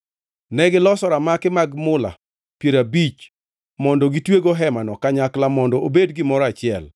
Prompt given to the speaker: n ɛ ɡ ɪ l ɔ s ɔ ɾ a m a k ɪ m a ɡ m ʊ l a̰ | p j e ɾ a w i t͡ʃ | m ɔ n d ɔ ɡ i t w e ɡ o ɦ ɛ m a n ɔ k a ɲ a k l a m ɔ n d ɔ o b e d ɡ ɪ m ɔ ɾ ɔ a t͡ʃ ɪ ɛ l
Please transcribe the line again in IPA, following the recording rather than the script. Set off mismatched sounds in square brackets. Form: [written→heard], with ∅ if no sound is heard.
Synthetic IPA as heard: n ɛ ɡ ɪ l ɔ s ɔ ɾ a m a k ɪ m a ɡ m ʊ l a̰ | p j e ɾ a [w→b] i t͡ʃ | m ɔ n d ɔ ɡ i t w e ɡ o ɦ ɛ m a n ɔ k a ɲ a k l a m ɔ n d ɔ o b e d ɡ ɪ m ɔ ɾ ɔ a t͡ʃ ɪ ɛ l